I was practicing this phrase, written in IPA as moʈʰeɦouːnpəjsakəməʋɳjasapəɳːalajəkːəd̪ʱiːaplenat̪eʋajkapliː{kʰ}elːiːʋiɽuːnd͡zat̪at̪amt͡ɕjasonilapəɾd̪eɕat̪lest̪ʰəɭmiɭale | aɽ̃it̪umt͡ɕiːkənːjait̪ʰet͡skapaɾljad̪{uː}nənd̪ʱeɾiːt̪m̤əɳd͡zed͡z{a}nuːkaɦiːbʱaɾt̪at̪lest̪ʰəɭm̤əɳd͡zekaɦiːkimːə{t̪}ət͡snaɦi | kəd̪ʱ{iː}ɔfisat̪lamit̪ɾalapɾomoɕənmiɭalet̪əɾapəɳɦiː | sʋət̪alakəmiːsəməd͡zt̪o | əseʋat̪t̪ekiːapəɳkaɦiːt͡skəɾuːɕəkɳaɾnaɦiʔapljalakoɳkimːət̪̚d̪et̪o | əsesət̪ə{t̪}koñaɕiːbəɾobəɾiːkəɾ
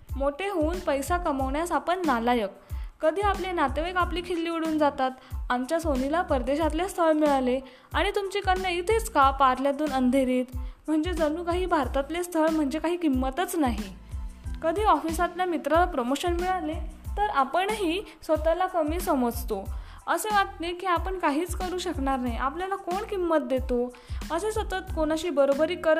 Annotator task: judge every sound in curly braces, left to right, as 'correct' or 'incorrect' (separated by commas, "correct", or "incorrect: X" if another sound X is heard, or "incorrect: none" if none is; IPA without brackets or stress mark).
correct, correct, incorrect: ə, correct, correct, correct